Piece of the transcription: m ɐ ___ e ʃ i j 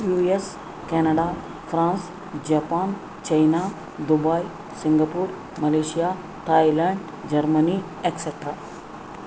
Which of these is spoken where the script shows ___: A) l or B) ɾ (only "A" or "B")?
A